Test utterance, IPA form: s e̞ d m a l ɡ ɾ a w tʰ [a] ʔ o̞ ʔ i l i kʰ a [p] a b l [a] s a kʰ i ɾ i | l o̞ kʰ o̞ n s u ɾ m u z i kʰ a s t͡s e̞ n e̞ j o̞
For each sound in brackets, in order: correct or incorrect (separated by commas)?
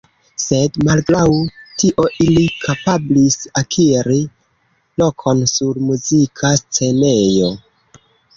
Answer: incorrect, correct, incorrect